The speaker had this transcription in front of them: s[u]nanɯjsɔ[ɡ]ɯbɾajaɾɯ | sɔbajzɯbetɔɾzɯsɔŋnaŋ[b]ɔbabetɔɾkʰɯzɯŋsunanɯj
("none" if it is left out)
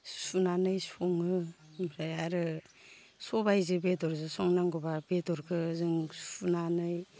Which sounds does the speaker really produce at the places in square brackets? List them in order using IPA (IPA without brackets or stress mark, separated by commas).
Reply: u, ŋ, ɡ